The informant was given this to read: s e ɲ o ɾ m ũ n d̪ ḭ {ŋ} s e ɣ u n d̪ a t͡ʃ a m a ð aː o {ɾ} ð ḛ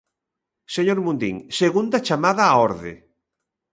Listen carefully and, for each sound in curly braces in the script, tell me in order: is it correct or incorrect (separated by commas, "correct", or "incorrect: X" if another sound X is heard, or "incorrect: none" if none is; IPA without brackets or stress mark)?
correct, correct